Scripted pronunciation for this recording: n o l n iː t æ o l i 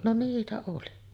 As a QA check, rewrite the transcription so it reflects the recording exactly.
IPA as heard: n o n iː t æ o l i